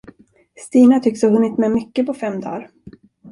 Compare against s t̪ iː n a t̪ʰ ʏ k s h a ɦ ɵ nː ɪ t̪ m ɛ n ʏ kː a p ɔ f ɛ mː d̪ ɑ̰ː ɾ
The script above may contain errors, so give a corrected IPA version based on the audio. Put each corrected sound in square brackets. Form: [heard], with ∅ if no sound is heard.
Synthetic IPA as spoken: s t̪ iː n a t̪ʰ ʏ k s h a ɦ ɵ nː ɪ t̪ m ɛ [m] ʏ kː [ə] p ɔ f ɛ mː d̪ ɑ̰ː ɾ